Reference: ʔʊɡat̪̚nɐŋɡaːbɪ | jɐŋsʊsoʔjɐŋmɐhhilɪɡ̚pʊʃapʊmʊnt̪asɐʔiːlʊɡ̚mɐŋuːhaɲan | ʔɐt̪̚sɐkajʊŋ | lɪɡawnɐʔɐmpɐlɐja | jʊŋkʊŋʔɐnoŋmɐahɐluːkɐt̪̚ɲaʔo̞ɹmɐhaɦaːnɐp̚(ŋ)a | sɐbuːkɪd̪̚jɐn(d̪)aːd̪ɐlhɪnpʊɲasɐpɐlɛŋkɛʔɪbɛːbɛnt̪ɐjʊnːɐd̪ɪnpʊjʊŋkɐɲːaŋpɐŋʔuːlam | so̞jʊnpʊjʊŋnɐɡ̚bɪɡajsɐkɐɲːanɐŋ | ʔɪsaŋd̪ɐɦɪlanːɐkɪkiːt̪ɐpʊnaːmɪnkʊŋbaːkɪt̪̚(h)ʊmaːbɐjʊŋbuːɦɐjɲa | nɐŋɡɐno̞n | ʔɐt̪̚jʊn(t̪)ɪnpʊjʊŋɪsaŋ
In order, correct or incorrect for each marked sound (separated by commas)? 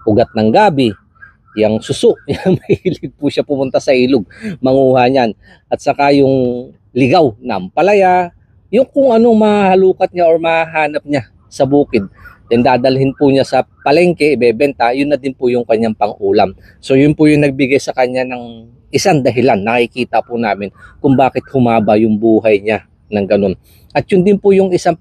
incorrect, correct, correct, incorrect